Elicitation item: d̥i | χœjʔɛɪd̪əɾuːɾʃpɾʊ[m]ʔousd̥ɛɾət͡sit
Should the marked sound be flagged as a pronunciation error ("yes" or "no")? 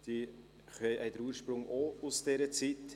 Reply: yes